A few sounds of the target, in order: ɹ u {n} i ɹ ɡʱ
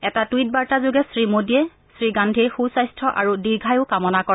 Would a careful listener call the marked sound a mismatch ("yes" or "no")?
yes